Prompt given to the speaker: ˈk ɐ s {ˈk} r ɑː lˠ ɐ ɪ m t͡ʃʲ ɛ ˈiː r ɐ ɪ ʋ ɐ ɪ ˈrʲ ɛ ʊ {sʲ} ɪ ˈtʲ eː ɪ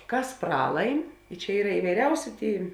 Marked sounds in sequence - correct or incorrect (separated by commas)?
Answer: incorrect, correct